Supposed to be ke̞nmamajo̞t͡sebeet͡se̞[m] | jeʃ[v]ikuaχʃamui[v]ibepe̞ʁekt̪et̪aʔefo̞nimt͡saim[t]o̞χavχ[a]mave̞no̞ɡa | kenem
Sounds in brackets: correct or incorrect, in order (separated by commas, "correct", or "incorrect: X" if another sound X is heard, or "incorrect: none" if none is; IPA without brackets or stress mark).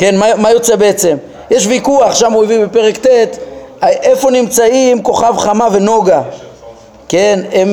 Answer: correct, correct, correct, incorrect: k, correct